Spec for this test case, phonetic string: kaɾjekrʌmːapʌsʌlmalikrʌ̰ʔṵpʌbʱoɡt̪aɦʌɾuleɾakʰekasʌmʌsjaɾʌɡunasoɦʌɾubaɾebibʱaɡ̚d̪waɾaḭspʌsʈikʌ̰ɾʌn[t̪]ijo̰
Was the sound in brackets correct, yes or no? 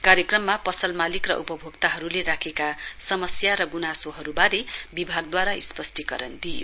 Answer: no